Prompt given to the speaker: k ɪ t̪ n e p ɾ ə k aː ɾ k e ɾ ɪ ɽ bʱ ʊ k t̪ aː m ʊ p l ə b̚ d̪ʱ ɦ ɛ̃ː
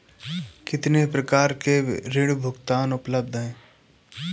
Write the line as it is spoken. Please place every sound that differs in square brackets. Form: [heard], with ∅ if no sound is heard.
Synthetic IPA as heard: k ɪ t̪ n e p ɾ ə k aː ɾ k e ɾ ɪ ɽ bʱ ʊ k t̪ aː [n] ʊ p l ə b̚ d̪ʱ ɦ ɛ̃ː